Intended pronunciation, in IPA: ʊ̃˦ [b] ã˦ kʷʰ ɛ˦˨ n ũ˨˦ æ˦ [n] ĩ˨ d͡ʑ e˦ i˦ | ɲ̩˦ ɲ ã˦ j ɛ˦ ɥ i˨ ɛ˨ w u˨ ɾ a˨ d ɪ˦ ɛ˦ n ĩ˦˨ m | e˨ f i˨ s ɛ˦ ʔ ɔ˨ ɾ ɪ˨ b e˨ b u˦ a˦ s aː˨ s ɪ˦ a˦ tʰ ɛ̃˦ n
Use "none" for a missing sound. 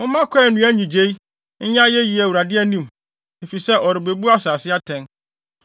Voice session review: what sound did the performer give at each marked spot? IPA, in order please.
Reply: m, ɲ

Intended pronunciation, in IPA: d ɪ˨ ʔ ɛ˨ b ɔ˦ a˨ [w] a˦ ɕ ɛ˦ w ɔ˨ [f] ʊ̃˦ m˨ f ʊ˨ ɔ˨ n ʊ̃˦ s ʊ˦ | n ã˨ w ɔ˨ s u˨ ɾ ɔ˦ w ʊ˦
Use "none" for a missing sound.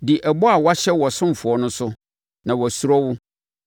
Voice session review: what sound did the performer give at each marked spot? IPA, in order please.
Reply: w, s

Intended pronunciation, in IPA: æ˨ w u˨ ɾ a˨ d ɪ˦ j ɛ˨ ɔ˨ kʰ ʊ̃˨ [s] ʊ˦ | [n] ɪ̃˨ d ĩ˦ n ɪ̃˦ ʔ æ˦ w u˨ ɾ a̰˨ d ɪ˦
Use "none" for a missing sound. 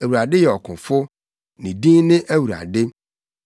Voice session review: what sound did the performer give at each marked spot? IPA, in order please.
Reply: f, n

